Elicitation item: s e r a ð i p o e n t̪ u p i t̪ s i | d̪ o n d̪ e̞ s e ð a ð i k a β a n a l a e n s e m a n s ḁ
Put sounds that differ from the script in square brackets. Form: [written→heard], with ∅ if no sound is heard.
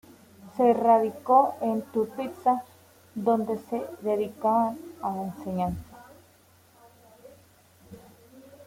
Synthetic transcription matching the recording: s e r a ð i [p→k] o e n t̪ u p i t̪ s [i→a] | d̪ o n d̪ e̞ s e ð [a→e] ð i k a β a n a l a e n s e [m→ɲ] a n s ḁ